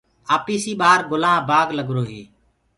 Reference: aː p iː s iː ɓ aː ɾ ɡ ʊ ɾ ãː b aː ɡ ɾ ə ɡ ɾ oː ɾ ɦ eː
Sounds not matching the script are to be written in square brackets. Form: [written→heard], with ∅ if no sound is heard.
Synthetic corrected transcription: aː p iː s iː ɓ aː ɾ ɡ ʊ [ɾ→l] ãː b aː ɡ [ɾ→l] ə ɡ ɾ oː [ɾ→∅] ɦ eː